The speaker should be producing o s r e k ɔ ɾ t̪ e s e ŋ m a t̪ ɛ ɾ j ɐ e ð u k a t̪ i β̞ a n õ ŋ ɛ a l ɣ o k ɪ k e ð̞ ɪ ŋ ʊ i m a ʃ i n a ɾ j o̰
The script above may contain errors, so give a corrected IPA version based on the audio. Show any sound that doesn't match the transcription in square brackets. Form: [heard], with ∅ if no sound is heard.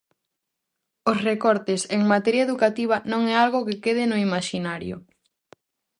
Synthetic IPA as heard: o s r e k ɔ ɾ t̪ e s e ŋ m a t̪ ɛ ɾ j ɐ e ð u k a t̪ i β̞ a n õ ŋ ɛ a l ɣ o k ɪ k e ð̞ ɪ [n] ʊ i m a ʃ i n a ɾ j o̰